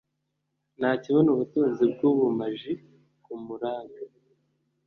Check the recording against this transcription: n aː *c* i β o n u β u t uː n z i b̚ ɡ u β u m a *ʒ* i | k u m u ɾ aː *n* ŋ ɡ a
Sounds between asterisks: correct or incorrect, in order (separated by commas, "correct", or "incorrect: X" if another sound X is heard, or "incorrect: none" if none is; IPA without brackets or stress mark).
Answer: correct, correct, incorrect: none